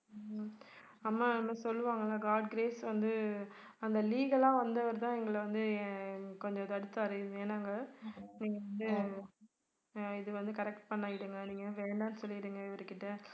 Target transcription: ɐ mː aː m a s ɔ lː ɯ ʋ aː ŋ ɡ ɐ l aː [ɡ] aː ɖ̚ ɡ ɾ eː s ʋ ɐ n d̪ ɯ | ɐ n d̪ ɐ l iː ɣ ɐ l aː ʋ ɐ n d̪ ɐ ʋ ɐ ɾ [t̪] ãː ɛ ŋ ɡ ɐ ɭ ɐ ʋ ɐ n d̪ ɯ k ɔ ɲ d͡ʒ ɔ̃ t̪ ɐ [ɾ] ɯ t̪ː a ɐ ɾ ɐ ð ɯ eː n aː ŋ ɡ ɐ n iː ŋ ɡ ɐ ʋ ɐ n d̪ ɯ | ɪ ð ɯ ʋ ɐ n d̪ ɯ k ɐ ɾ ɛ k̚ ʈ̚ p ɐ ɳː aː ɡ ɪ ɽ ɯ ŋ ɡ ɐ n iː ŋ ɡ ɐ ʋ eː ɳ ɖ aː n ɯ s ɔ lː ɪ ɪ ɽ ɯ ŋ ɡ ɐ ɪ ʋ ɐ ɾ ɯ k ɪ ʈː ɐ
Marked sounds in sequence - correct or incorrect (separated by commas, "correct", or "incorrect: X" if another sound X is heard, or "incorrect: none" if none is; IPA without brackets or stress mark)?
correct, correct, incorrect: ɽ